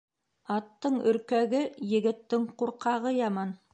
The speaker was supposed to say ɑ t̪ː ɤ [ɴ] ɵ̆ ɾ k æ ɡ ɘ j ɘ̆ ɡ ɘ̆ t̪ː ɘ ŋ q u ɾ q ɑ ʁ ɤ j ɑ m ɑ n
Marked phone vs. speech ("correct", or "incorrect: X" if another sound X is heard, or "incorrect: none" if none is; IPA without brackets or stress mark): correct